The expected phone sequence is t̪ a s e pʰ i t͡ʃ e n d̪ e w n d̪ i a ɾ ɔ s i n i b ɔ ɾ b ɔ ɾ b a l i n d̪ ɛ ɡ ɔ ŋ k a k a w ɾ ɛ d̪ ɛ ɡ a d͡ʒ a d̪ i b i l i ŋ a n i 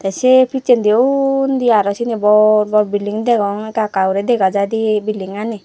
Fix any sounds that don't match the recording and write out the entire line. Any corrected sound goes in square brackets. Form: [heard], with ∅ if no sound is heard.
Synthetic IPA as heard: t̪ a s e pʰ i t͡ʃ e n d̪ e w n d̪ i a ɾ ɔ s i n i b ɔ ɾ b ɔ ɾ b [i] l i [ŋ] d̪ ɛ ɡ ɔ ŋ k a k a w ɾ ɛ d̪ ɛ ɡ a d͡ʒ a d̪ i b i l i ŋ a n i